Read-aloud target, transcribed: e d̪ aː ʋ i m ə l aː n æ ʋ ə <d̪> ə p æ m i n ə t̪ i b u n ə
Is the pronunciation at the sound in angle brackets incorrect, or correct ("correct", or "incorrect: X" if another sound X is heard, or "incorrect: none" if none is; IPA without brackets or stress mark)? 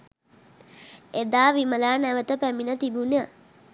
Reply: incorrect: t̪